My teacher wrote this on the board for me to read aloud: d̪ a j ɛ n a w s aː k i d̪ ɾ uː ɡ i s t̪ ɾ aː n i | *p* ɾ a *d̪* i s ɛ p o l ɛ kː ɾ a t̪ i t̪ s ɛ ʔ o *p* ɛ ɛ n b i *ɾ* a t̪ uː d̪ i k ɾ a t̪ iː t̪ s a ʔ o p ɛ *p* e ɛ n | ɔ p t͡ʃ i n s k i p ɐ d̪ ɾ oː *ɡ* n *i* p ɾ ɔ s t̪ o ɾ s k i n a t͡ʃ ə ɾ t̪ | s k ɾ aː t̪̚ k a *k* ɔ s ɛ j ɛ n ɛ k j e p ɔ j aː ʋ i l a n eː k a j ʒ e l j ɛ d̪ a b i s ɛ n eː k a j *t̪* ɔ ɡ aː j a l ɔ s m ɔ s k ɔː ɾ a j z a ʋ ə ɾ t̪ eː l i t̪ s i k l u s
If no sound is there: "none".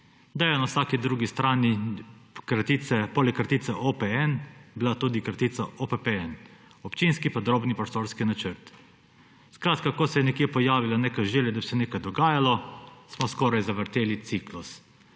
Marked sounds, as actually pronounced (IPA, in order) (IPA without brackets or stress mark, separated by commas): k, t̪, p, l, p, b, i, k, d̪